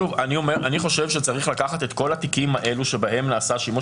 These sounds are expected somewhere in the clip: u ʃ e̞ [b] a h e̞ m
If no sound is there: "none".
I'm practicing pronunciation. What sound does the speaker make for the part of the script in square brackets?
b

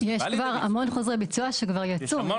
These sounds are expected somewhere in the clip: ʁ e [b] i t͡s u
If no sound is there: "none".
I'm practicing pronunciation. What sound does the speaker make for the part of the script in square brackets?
b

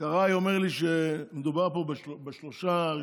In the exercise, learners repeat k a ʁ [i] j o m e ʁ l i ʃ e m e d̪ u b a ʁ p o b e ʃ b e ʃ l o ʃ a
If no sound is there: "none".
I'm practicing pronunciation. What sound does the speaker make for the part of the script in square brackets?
a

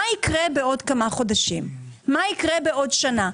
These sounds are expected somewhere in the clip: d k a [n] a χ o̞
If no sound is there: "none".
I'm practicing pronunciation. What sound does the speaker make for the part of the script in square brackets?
m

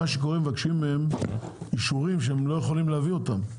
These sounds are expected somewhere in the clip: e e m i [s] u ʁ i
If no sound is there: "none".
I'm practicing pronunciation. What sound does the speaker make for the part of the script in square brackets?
ʃ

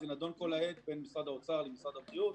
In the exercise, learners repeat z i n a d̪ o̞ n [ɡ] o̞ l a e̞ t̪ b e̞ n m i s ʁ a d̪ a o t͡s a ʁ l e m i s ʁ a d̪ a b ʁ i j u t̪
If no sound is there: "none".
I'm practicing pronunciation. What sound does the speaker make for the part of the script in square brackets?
k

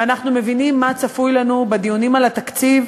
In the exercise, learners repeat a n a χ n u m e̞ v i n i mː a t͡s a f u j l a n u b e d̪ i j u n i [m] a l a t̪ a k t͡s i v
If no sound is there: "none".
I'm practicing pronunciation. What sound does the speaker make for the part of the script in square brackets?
m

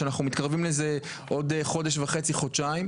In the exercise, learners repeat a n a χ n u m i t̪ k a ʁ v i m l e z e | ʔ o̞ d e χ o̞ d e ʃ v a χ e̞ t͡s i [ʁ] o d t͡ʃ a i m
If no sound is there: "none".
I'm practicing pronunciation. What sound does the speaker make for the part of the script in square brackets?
χ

